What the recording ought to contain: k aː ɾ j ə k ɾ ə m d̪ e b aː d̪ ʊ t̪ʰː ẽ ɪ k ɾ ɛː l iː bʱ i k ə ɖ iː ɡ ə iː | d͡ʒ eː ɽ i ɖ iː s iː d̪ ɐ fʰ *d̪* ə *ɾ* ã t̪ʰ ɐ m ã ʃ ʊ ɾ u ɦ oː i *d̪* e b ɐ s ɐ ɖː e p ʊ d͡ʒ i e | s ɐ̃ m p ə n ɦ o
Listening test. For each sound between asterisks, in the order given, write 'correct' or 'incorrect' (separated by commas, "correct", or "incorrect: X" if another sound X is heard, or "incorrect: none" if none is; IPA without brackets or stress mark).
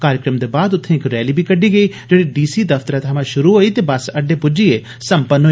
incorrect: t̪, correct, incorrect: t̪